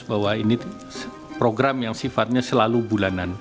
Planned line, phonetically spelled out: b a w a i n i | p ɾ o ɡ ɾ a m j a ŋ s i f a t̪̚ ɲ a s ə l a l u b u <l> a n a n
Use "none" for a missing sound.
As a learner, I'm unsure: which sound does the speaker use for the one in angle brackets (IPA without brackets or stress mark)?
l